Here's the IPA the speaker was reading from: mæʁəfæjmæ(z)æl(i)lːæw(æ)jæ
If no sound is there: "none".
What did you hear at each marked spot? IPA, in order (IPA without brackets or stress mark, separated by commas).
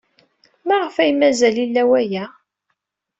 z, i, æ